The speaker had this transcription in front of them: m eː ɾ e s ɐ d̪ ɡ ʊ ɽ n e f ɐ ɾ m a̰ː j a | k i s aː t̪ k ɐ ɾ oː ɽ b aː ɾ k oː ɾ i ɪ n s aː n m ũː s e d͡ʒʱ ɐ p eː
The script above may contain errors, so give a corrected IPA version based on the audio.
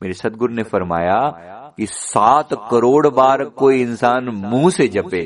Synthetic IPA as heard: m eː ɾ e s ɐ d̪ ɡ ʊ ɾ n e f ɐ ɾ m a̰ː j a | k i s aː t̪ k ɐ ɾ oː ɽ b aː ɾ k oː i ɪ n s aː n m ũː s e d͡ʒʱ ɐ p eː